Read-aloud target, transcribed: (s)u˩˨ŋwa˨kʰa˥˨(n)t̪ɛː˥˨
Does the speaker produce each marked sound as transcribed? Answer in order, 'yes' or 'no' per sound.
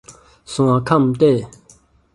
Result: yes, no

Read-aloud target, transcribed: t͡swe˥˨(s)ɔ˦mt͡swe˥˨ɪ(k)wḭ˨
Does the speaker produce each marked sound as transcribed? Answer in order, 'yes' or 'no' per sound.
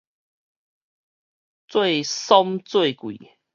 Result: yes, yes

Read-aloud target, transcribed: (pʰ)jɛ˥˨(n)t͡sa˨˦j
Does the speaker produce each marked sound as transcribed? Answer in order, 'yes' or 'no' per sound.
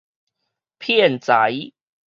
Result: yes, yes

